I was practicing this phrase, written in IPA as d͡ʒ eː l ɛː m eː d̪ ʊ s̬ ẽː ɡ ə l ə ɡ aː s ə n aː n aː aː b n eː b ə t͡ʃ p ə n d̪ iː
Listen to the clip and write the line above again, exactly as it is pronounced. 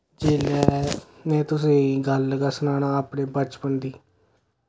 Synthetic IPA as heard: d͡ʒ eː l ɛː n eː t̪ ʊ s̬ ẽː ɡ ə l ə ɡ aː s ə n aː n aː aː p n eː b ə t͡ʃ p ə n d̪ iː